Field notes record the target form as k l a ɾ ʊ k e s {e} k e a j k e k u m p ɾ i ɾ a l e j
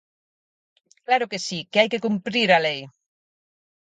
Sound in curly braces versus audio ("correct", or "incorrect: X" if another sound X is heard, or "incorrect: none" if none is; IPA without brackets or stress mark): incorrect: i